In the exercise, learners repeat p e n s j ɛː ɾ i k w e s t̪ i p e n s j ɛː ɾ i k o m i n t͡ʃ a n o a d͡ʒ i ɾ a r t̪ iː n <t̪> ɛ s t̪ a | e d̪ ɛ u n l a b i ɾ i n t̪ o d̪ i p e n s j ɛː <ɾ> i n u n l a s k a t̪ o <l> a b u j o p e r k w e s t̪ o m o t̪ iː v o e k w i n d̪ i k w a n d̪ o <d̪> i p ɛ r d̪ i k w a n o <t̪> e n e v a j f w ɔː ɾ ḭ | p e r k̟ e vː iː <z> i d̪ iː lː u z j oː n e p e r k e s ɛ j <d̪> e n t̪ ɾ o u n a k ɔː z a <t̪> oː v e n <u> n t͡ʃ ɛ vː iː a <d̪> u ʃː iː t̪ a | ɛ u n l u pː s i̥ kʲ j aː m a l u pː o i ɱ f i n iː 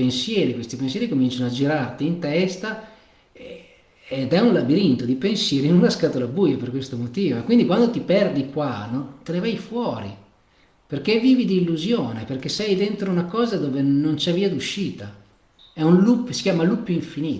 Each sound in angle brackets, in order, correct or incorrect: correct, correct, correct, incorrect: t̪, correct, incorrect: v, correct, incorrect: d̪, incorrect: o, correct

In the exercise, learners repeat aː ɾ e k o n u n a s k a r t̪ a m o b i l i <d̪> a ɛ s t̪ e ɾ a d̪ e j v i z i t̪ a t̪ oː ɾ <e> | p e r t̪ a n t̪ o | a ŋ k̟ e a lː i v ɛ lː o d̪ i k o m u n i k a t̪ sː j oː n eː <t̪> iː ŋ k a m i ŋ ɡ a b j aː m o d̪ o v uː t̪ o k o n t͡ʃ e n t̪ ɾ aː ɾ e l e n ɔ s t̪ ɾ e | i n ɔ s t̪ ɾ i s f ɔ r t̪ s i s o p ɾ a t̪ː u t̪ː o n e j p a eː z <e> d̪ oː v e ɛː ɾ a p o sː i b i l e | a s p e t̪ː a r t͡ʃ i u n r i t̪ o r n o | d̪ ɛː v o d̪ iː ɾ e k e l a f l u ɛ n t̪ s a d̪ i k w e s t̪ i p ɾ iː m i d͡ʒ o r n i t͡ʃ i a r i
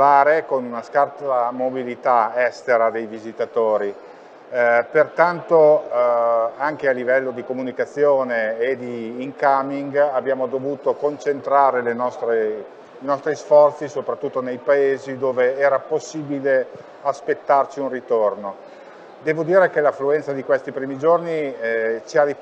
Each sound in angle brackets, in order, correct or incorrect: incorrect: t̪, incorrect: i, incorrect: d̪, incorrect: i

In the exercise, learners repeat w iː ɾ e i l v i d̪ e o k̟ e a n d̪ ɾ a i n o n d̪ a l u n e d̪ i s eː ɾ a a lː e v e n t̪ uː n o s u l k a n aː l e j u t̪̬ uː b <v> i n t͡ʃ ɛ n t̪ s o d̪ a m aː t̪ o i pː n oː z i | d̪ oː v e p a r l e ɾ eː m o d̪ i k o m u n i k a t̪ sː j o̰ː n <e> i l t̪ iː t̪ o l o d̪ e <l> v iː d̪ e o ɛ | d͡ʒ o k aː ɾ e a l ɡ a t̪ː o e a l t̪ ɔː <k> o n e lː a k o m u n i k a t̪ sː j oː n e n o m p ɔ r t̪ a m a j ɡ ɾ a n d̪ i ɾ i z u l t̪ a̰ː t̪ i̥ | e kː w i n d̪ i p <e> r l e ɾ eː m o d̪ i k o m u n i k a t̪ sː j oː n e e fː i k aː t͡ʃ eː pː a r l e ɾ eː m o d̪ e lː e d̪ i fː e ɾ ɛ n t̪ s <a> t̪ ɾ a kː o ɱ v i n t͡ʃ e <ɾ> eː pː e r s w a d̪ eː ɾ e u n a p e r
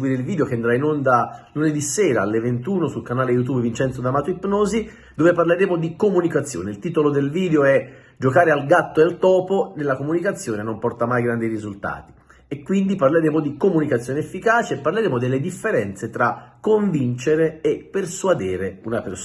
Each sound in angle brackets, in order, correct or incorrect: correct, correct, correct, incorrect: p, incorrect: a, incorrect: e, correct

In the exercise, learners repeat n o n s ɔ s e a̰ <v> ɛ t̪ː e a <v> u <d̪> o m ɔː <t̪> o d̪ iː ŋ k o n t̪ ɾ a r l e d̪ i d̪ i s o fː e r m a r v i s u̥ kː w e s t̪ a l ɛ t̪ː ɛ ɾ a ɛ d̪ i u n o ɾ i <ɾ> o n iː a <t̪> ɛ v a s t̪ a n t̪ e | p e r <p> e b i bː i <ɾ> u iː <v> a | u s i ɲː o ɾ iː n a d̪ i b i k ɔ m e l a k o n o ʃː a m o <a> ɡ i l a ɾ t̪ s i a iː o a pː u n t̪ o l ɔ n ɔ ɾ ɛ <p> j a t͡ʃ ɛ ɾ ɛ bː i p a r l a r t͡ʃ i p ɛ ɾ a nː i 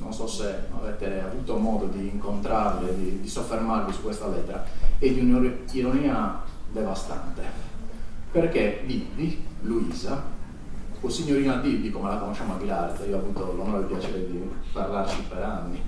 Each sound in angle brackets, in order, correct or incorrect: correct, correct, incorrect: t̪, incorrect: d̪, correct, incorrect: d̪, incorrect: k, incorrect: l, incorrect: z, correct, correct

